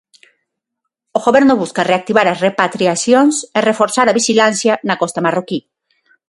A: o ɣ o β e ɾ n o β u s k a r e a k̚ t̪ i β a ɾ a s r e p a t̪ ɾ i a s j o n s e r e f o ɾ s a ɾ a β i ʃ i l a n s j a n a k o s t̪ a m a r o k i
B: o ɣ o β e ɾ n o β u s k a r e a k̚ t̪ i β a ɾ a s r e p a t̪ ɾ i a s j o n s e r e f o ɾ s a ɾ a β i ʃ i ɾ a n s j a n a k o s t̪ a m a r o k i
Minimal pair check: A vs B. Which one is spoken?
A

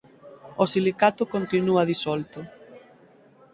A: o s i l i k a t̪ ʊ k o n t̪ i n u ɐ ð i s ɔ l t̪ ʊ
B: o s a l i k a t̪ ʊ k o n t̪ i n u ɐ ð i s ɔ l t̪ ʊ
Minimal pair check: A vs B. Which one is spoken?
A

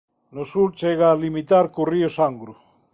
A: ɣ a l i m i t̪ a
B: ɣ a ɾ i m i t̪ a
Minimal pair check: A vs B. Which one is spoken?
A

